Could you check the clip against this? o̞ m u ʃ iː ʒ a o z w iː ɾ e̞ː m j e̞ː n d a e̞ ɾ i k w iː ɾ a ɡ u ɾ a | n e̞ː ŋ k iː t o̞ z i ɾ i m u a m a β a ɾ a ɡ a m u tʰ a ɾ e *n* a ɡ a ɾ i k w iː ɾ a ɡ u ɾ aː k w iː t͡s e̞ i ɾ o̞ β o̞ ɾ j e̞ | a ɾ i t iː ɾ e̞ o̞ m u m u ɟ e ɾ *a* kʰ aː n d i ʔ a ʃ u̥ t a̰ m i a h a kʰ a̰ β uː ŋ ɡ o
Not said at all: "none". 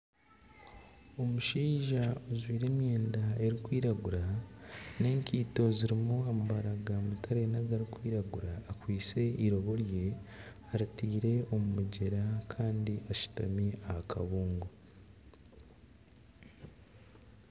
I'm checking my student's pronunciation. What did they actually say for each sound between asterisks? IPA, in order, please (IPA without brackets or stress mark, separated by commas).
n, a